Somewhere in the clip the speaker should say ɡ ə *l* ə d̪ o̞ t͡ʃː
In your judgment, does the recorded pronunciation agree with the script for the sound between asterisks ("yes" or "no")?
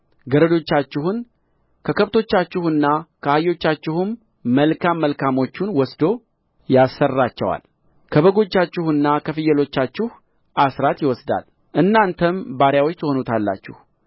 no